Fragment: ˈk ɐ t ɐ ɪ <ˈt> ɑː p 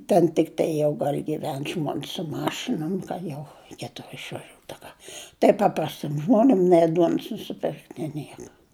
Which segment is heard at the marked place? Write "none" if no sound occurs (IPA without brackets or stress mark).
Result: p